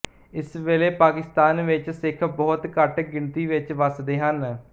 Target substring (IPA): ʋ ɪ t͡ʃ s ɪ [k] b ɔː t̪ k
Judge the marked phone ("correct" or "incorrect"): incorrect